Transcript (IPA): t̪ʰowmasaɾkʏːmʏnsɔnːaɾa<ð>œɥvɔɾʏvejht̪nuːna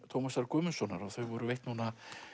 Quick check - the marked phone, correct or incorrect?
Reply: incorrect: θ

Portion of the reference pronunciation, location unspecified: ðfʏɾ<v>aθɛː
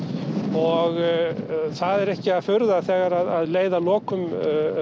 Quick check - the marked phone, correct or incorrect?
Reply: incorrect: ð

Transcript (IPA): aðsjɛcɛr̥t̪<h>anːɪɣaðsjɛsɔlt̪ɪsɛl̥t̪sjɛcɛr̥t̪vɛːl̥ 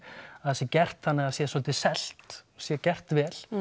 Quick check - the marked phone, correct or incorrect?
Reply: incorrect: θ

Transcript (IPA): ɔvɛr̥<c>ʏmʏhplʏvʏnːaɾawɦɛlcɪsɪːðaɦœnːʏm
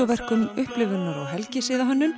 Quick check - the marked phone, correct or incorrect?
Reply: incorrect: k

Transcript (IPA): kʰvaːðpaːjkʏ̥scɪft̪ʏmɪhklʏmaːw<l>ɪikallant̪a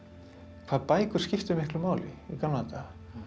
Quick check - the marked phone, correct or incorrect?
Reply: correct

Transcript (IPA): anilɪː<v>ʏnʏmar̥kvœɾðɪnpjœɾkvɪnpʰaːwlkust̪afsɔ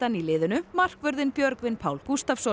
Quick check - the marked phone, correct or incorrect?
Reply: incorrect: ð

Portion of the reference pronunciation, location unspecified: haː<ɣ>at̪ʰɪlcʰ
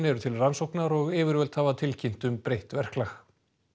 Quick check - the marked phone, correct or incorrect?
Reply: incorrect: v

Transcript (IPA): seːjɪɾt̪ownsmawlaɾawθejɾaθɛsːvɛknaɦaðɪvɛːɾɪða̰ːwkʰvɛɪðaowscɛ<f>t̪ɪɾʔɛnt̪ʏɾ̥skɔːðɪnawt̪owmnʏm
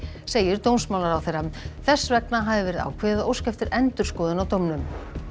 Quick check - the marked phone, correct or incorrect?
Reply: correct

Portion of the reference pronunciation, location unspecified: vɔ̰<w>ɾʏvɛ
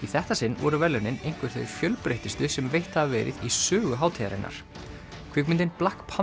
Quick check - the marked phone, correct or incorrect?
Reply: incorrect: none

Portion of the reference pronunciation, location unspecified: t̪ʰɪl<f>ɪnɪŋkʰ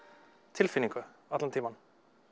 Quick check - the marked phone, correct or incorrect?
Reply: correct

